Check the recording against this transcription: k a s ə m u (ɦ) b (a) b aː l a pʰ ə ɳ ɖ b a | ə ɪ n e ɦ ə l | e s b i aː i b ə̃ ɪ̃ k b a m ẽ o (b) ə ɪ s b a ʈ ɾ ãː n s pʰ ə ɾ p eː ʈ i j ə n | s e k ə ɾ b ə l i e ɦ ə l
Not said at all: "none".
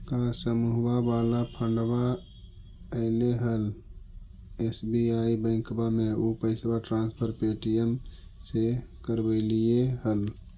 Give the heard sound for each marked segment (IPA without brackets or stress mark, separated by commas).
ɦ, a, p